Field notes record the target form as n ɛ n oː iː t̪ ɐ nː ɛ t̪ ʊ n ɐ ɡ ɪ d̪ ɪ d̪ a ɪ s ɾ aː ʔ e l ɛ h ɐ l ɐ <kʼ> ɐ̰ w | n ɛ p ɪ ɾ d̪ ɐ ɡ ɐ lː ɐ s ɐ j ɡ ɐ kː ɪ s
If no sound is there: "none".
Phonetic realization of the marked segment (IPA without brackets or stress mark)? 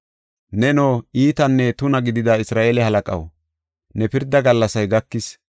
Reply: kʼ